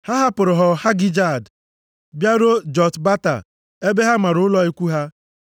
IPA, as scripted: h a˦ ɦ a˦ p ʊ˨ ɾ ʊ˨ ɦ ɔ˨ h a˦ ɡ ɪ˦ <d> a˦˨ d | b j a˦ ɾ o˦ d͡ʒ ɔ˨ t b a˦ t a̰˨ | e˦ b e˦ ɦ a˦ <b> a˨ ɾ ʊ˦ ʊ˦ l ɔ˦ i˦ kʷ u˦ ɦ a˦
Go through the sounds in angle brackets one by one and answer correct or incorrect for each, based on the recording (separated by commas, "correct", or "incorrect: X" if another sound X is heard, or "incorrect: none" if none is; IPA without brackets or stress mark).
incorrect: d͡ʒ, incorrect: m